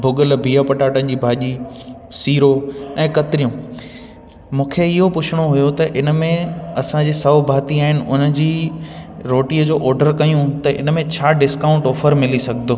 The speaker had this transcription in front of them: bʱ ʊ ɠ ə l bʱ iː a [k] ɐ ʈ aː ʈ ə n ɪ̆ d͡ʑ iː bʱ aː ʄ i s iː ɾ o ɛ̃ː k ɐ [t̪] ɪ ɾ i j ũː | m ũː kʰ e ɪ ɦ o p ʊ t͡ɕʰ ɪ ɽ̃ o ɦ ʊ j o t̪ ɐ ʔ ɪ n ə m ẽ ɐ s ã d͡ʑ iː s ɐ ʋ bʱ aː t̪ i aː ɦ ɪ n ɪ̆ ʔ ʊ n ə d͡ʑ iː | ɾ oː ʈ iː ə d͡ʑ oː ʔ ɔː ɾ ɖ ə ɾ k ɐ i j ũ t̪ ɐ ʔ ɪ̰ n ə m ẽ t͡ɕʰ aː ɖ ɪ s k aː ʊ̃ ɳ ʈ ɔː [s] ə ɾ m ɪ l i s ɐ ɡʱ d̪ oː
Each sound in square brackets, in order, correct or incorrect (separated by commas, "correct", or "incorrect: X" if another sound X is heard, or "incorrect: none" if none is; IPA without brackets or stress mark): incorrect: p, correct, incorrect: f